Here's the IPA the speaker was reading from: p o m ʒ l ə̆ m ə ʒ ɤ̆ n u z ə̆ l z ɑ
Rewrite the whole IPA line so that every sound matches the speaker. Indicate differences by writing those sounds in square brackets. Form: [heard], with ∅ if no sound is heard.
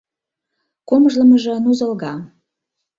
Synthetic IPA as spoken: [k] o m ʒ l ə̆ m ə ʒ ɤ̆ n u z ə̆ l [ɣ] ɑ